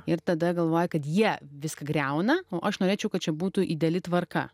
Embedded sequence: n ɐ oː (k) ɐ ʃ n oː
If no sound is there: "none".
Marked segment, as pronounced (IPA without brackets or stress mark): ʔ